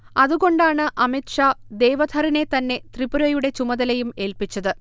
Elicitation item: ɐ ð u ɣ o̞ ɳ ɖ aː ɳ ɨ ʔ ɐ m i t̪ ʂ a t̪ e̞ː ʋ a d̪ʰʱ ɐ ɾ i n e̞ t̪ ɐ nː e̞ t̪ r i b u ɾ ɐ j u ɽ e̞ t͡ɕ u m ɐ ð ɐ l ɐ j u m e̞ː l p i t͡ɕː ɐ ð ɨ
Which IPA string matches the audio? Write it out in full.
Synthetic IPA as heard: ɐ ð u ɣ o̞ ɳ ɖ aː ɳ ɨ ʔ ɐ m i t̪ ʂ a d̪ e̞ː ʋ ɐ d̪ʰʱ ɐ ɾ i n e̞ t̪ ɐ nː e̞ t̪ r i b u ɾ ɐ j u ɽ e̞ t͡ɕ u m ɐ ð ɐ l ɐ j u m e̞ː l p i t͡ɕː ɐ ð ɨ